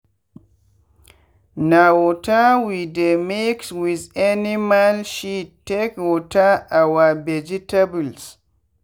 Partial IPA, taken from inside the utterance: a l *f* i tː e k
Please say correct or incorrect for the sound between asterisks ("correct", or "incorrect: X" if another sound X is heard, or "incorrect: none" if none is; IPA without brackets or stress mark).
incorrect: ʃ